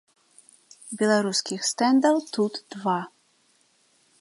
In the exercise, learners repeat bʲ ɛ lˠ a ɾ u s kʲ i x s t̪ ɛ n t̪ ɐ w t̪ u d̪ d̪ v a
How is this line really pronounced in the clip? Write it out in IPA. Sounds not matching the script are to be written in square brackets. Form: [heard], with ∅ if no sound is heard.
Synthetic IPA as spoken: bʲ ɛ lˠ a ɾ u s kʲ i x s t̪ ɛ n [d̪] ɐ w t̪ u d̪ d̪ v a